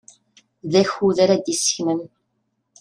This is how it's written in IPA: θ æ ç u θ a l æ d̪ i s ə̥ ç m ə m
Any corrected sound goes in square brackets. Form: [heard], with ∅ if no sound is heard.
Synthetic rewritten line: [ð] æ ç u [ð] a [ɾ] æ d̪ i s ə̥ ç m ə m